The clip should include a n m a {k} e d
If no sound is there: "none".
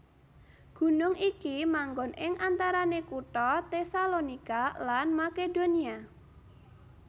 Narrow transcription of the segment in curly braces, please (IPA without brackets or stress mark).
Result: k